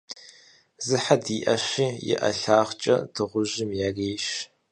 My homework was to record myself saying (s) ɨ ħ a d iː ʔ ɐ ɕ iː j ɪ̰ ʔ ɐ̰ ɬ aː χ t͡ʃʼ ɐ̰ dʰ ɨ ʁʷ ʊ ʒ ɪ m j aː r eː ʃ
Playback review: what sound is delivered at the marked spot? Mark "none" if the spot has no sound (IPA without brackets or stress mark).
z